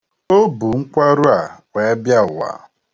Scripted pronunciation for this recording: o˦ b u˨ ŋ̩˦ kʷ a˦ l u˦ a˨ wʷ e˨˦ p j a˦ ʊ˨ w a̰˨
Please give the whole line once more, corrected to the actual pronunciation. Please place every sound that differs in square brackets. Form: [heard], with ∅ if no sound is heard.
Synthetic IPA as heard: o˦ b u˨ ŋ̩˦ kʷ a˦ [ɾ] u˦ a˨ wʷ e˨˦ [b] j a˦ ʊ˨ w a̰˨